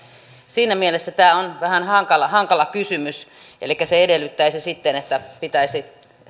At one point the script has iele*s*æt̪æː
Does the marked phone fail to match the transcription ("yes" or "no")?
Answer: yes